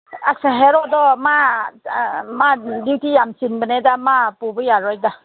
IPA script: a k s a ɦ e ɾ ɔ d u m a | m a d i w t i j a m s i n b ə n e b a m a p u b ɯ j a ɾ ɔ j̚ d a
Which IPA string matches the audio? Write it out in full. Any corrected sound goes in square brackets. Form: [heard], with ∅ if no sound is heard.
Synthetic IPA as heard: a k s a ɦ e ɾ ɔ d [ɔ] m a | m a d i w t i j a m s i n b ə n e [d] a m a p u b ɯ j a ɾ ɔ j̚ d a